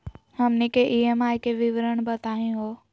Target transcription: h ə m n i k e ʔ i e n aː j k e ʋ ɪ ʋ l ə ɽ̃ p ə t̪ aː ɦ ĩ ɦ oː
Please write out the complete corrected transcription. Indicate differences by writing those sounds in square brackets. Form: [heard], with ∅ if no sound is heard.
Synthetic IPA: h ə m n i k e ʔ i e [m] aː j k e ʋ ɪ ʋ [ɾ] ə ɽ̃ [b] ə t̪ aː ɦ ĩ ɦ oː